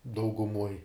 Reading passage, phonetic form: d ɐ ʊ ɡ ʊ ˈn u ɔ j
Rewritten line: d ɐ ʊ ɡ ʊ ˈm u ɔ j